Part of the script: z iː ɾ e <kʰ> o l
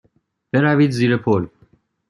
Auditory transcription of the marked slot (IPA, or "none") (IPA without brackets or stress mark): pʰ